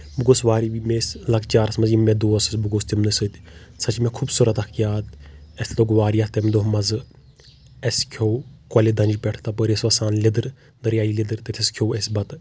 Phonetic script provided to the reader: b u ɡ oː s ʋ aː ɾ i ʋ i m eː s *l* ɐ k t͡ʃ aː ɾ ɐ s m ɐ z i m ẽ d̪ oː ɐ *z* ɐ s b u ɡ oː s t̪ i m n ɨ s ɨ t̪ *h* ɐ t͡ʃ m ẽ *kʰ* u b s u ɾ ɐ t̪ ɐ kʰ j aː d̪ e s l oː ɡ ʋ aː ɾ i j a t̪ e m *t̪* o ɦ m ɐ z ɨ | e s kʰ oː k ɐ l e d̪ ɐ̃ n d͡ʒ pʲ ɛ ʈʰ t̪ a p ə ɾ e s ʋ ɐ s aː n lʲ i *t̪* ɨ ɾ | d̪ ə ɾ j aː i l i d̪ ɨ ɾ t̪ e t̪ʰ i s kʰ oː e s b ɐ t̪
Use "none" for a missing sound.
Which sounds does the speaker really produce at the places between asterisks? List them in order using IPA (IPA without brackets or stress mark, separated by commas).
l, s, s, kʰ, d̪, d̪